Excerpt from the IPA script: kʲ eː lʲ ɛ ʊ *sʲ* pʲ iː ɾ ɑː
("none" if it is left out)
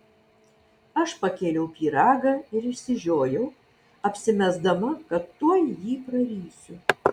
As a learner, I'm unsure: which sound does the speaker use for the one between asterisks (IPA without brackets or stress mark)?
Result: none